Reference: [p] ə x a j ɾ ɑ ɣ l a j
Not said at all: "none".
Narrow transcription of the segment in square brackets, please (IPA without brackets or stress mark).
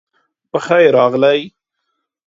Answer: p